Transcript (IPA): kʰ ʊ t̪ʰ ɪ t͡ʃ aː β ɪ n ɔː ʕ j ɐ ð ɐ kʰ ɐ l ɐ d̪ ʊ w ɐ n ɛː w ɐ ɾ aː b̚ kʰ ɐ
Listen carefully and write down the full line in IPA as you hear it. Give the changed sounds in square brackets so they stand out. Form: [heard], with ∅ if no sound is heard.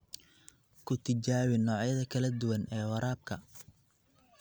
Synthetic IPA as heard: kʰ ʊ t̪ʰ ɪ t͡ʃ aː [w] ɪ n ɔː ʕ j ɐ ð ɐ kʰ ɐ l ɐ d̪ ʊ w ɐ n ɛː w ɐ ɾ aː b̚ kʰ ɐ